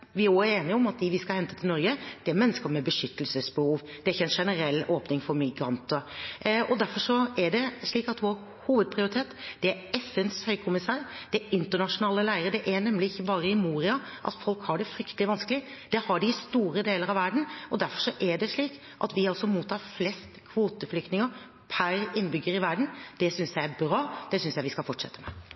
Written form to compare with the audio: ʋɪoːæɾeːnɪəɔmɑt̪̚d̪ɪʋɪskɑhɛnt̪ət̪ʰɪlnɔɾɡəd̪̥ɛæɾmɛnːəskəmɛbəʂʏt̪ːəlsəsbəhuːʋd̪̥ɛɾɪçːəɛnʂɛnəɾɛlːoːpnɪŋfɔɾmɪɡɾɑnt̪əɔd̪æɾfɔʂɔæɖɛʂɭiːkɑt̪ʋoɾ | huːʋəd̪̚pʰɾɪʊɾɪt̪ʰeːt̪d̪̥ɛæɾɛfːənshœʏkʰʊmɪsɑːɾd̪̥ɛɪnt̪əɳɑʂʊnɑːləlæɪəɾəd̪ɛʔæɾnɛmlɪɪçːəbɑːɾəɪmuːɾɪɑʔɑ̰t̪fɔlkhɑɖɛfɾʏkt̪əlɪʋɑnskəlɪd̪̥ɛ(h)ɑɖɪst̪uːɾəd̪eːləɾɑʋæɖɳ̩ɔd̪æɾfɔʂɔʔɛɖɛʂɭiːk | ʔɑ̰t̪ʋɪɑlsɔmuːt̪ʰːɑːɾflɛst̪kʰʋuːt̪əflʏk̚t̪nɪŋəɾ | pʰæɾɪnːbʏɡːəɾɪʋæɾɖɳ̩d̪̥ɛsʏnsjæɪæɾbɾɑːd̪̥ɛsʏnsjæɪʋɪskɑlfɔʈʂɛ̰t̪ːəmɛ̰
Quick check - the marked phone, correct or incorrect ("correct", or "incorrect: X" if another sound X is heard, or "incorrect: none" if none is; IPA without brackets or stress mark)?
correct